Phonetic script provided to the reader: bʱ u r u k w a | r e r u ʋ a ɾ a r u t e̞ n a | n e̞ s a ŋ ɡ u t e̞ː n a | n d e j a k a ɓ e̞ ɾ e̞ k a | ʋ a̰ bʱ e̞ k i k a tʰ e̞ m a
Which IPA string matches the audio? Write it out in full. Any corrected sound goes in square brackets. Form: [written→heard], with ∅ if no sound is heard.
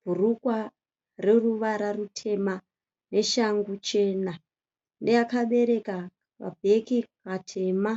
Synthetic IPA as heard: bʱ u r u k w a | r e r u ʋ a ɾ a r u [t→tʰ] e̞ [n→m] a | n e̞ [s→ʃ] a ŋ ɡ u [t→t͡ʃ] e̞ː n a | n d e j a k a ɓ e̞ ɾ e̞ k a | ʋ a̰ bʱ e̞ k i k a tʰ e̞ m a